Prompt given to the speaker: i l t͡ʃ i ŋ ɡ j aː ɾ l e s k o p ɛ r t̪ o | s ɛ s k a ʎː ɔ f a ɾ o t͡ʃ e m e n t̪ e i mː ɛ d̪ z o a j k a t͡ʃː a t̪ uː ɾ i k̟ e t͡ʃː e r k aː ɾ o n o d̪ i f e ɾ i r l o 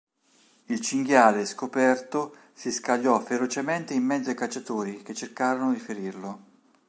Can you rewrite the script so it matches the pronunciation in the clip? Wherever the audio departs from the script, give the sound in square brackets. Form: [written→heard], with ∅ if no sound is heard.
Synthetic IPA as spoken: i l t͡ʃ i ŋ ɡ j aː [ɾ→∅] l e s k o p ɛ r t̪ o | s [ɛ→i] s k a ʎː ɔ f [a→e] ɾ o t͡ʃ e m e n t̪ e i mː ɛ d̪ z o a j k a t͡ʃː a t̪ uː ɾ i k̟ e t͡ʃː e r k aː ɾ o n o d̪ i f e ɾ i r l o